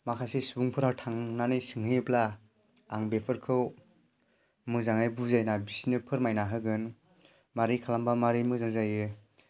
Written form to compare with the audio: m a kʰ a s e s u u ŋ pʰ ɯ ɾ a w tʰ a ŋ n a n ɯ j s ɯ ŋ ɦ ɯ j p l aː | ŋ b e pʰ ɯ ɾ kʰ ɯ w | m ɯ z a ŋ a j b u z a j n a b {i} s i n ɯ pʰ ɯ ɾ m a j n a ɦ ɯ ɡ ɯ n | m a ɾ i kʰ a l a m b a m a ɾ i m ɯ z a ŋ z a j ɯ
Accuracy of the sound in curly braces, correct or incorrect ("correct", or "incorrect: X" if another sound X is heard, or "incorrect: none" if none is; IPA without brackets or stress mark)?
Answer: correct